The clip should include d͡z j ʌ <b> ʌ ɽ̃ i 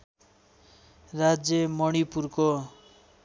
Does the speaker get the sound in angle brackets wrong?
yes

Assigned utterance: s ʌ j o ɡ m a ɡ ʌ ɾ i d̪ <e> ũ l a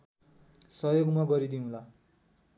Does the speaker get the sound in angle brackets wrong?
yes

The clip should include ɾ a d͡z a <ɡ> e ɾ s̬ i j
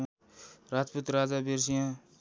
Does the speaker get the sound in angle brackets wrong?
yes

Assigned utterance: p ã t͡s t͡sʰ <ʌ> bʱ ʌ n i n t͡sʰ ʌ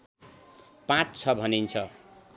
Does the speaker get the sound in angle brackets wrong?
no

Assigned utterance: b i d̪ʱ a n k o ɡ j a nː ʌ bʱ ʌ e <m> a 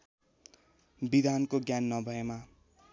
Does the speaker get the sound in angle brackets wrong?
no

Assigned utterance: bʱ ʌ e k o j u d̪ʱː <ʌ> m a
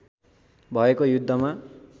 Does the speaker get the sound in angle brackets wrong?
no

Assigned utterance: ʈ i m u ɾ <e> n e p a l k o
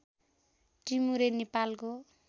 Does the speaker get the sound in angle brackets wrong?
no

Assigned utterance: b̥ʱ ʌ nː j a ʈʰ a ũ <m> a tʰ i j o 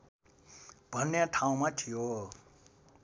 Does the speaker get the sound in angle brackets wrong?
no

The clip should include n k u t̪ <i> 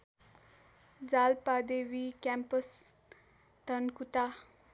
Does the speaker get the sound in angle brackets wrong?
yes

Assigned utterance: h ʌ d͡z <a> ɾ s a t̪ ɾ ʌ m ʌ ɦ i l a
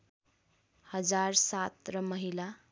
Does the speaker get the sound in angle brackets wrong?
no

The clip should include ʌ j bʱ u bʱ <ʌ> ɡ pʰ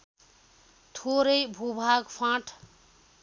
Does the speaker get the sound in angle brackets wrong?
yes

